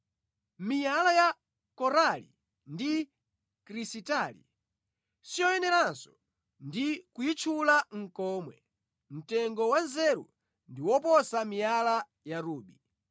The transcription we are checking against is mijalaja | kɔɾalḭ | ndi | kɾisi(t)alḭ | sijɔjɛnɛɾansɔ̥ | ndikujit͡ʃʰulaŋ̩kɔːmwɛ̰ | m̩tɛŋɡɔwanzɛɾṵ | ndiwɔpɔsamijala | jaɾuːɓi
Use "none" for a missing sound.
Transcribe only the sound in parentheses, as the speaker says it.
t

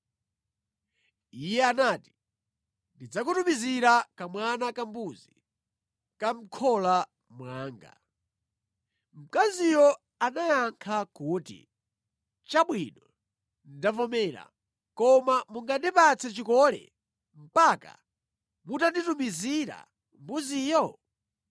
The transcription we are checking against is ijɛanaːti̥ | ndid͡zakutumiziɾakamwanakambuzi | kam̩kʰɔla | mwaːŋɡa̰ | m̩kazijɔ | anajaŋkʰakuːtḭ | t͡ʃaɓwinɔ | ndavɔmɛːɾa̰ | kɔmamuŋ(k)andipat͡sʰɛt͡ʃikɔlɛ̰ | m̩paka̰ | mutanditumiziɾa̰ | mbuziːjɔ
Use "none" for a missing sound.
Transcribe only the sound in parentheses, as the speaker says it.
ɡ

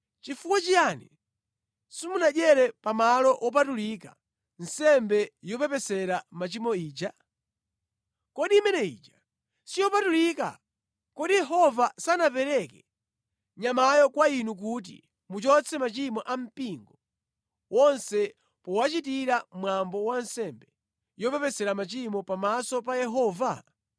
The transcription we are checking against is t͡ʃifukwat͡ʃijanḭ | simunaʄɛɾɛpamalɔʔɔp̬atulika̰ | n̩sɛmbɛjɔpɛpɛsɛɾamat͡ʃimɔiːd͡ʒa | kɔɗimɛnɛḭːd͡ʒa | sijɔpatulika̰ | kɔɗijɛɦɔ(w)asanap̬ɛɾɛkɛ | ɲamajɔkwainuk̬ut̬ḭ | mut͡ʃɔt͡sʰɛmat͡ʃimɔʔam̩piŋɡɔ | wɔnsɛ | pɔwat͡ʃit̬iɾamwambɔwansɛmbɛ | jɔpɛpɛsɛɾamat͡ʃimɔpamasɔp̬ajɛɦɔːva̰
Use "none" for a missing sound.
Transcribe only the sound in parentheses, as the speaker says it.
v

